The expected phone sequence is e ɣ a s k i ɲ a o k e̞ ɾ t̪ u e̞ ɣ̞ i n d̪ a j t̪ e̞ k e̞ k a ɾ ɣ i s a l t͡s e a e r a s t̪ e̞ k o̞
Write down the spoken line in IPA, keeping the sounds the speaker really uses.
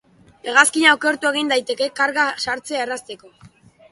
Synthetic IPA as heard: e ɣ a s k i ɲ a o k e̞ ɾ t̪ u e̞ ɣ̞ i n d̪ a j t̪ e̞ k e̞ k a ɾ ɣ a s a ɾ t͡s e a e r a s t̪ e̞ k o̞